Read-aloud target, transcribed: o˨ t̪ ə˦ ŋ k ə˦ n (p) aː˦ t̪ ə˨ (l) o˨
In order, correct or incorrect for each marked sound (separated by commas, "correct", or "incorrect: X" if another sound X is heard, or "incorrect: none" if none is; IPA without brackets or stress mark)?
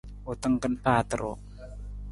correct, incorrect: ɾ